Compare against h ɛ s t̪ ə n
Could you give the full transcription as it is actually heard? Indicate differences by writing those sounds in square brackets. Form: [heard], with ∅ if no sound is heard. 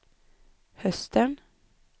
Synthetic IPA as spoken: h [œ] s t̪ ə n

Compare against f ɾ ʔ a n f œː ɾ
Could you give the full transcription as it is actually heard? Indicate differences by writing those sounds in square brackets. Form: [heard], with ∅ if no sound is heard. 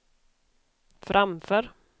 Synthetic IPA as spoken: f ɾ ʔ a [m] f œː ɾ

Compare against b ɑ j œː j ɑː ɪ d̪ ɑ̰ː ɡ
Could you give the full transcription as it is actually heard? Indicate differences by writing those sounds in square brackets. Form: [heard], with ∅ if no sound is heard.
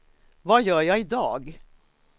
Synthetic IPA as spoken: [v] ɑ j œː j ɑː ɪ d̪ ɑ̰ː ɡ

